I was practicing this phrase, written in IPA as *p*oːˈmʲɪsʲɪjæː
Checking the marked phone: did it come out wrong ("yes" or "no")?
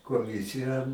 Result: yes